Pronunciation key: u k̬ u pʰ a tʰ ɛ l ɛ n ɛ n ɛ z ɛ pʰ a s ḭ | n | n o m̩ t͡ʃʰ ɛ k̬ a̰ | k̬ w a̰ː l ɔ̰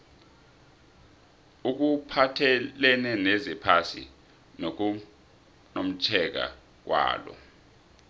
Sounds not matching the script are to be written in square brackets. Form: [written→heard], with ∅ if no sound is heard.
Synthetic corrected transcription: u k̬ u pʰ a tʰ ɛ l ɛ n ɛ n ɛ z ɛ pʰ a s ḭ | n | n o m̩ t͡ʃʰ ɛ k̬ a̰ | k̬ w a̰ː l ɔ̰